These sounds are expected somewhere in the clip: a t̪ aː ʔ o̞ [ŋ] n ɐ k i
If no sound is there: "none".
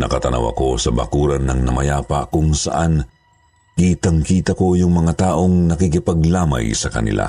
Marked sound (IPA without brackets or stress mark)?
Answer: ŋ